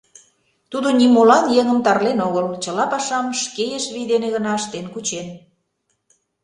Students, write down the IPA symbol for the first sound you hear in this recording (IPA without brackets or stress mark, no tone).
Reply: t̪